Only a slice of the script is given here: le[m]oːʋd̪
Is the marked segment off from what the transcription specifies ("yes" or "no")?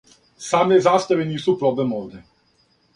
no